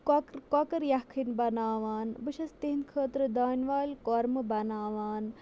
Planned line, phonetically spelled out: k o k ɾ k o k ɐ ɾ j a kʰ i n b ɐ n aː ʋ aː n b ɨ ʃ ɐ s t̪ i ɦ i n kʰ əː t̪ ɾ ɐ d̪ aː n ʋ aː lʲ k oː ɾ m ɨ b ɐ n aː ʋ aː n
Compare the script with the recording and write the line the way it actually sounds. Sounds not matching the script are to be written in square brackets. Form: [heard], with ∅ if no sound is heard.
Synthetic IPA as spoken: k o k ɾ k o k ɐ ɾ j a kʰ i n b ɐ n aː ʋ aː n b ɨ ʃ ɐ s t̪ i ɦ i n kʰ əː t̪ ɾ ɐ d̪ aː n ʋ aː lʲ k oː ɾ m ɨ b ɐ n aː ʋ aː n